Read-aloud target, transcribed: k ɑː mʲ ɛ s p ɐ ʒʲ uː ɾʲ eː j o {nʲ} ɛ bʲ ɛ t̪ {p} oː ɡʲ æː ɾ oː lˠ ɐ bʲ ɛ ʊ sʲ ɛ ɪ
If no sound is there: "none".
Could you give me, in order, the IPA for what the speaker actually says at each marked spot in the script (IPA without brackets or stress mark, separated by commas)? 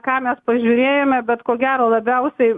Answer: mʲ, k